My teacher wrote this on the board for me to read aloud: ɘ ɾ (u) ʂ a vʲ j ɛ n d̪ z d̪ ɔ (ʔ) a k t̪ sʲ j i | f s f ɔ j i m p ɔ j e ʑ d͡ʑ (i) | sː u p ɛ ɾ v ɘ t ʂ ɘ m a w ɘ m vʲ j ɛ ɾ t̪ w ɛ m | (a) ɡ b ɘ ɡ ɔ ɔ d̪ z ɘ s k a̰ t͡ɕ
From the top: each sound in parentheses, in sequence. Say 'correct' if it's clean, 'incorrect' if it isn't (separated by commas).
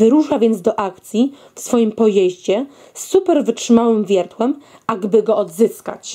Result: correct, correct, incorrect, correct